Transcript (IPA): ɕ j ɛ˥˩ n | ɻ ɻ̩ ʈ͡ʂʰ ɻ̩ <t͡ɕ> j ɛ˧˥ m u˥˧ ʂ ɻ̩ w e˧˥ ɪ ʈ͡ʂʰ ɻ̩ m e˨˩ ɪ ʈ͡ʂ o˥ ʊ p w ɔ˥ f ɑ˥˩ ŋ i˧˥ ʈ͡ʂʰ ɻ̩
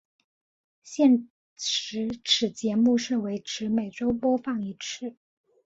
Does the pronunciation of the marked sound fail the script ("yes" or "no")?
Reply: no